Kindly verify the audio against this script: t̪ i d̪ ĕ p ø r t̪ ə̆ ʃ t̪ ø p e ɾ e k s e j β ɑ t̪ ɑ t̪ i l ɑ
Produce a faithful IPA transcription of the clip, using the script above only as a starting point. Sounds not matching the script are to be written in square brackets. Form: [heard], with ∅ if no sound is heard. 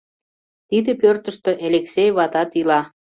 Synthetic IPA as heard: t̪ i d̪ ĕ p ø r t̪ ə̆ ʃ t̪ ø [ʔ] e [l] e k s e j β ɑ t̪ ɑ t̪ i l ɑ